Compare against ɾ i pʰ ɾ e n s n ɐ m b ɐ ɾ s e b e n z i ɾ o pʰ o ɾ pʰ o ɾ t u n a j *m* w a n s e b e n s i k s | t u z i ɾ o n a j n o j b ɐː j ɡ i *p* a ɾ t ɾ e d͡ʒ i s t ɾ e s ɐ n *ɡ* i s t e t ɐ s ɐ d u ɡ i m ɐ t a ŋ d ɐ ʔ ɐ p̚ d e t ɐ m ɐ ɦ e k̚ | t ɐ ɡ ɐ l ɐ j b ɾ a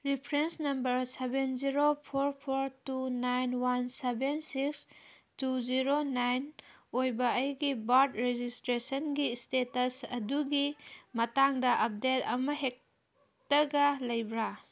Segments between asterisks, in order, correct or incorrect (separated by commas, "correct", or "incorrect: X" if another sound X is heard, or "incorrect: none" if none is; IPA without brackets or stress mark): incorrect: n, incorrect: b, correct